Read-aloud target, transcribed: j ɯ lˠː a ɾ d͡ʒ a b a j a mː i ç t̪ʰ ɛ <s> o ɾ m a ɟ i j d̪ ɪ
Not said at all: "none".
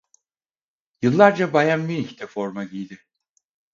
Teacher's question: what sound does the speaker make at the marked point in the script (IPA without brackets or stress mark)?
f